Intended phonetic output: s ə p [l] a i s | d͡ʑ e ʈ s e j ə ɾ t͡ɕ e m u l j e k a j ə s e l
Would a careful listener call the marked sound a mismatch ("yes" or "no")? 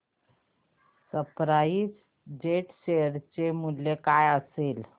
yes